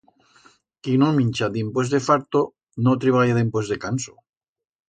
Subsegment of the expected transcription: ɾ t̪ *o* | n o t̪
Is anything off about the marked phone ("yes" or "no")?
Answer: no